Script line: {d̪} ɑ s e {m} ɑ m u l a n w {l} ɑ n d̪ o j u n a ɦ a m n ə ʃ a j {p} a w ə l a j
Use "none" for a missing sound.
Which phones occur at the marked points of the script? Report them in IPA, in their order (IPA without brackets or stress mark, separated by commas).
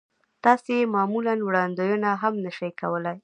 t̪, m, ɽ, k